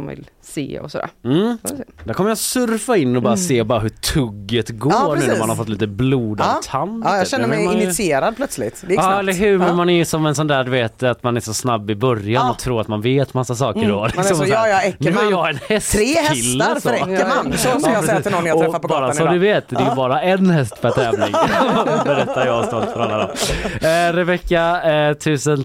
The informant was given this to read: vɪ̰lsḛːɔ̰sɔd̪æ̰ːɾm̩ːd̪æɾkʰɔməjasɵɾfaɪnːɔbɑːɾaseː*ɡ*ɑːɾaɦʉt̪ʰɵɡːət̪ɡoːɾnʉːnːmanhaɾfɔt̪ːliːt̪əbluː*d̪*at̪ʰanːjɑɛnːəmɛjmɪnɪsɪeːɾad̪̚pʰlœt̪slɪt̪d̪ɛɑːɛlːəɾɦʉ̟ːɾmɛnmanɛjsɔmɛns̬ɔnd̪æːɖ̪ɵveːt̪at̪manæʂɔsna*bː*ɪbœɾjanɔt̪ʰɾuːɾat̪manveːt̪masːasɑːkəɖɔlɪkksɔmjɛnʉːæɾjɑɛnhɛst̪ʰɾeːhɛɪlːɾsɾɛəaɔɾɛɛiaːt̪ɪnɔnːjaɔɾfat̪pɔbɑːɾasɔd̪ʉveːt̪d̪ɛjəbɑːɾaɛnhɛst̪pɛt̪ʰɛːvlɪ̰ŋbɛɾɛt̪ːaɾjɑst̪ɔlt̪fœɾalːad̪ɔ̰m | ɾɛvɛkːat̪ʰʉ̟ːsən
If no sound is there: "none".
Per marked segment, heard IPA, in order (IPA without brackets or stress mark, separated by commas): b, d̪, bː